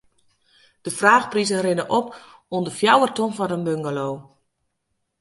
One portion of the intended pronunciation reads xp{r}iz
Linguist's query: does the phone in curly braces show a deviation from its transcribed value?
no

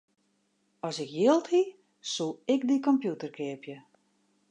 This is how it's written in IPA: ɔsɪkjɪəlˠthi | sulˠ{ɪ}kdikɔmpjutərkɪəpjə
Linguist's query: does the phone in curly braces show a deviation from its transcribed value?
no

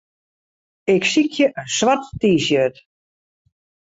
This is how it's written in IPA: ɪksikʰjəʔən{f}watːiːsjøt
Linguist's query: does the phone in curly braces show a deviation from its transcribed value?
yes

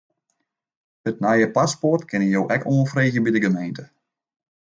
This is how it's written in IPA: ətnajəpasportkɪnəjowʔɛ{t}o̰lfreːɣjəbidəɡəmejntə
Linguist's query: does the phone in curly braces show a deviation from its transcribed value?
yes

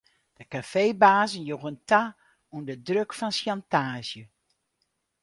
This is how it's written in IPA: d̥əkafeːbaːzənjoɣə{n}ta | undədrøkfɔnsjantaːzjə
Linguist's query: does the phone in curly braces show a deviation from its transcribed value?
no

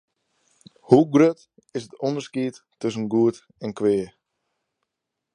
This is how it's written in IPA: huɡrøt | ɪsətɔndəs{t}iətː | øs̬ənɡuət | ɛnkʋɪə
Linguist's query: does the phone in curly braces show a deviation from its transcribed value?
yes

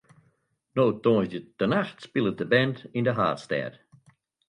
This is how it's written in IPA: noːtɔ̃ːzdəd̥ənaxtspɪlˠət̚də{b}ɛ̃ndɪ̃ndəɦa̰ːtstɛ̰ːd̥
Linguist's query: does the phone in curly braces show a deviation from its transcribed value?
no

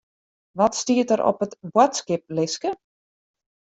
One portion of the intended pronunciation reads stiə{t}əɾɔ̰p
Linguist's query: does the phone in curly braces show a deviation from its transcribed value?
no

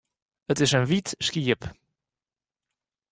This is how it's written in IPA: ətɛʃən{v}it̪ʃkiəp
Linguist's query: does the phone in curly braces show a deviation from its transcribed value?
no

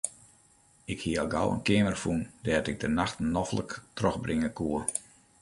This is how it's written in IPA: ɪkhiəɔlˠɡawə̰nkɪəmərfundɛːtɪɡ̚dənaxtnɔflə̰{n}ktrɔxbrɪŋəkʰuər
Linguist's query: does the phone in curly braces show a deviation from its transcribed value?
yes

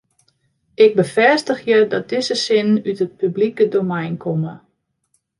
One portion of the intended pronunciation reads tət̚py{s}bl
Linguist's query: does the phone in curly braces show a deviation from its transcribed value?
yes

